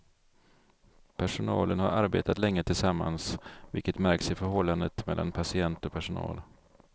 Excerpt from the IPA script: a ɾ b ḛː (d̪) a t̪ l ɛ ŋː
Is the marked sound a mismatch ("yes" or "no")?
yes